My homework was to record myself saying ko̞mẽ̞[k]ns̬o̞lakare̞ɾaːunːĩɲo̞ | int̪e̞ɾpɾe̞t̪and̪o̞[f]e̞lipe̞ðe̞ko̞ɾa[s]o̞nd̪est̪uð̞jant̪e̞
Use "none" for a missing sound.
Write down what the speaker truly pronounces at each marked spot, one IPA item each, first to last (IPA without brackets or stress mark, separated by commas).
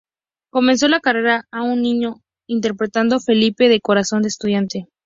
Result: none, f, s